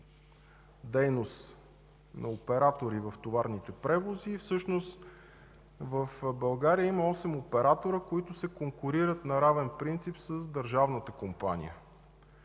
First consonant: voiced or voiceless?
voiced